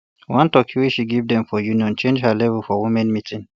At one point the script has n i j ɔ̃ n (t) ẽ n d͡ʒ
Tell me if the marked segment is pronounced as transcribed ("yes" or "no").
no